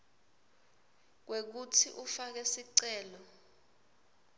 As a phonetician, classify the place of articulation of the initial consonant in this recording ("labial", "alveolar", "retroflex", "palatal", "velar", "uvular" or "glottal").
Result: velar